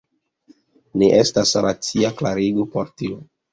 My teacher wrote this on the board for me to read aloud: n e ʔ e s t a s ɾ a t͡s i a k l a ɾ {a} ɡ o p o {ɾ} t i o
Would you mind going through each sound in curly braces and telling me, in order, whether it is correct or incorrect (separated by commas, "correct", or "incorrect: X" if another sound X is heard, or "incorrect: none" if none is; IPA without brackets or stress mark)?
incorrect: i, correct